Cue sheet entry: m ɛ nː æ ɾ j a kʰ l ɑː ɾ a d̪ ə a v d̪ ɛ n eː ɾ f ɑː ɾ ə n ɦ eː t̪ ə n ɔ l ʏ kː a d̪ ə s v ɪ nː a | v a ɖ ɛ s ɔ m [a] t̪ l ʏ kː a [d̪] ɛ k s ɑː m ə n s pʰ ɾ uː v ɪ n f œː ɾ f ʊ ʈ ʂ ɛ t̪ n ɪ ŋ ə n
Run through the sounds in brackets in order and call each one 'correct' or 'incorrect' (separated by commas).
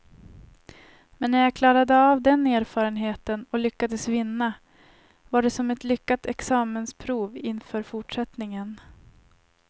incorrect, incorrect